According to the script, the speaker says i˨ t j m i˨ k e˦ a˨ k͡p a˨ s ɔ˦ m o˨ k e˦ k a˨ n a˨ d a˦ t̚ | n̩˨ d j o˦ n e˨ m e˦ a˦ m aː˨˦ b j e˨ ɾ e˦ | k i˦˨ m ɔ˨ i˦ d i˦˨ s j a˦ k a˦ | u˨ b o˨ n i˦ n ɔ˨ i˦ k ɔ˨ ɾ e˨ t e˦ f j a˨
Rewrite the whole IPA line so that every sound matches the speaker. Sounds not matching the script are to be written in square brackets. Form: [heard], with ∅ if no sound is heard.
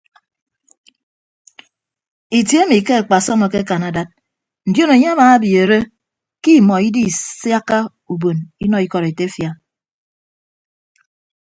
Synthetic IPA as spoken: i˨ t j m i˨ k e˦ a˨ k͡p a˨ s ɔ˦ m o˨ k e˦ k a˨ n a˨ d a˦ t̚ | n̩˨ d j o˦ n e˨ [ɲ] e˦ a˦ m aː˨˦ b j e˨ ɾ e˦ | k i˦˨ m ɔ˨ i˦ d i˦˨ s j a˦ k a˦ | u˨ b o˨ n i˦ n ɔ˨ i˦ k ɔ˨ ɾ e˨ t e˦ f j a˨